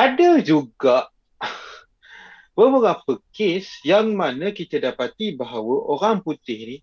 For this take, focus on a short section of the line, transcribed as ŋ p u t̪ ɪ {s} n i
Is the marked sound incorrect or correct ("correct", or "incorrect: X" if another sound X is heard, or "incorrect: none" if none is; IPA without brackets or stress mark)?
incorrect: h